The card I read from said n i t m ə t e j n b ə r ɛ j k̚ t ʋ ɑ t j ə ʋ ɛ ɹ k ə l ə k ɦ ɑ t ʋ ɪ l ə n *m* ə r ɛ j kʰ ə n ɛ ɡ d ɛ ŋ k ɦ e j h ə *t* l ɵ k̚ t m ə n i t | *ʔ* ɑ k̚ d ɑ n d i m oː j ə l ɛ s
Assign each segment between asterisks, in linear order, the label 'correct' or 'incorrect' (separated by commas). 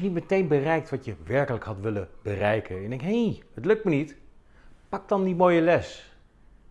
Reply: incorrect, correct, incorrect